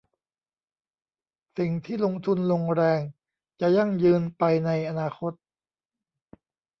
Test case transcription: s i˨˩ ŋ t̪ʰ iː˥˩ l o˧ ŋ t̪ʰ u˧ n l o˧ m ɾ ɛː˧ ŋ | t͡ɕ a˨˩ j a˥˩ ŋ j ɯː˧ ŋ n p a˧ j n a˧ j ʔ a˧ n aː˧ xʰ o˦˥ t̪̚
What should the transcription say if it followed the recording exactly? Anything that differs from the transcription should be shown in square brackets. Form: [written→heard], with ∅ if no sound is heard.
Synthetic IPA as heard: s i˨˩ ŋ t̪ʰ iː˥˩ l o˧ ŋ t̪ʰ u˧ n l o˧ [m→ŋ] ɾ ɛː˧ ŋ | t͡ɕ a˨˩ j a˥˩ ŋ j ɯː˧ [ŋ→∅] n p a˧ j n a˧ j ʔ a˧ n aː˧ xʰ o˦˥ t̪̚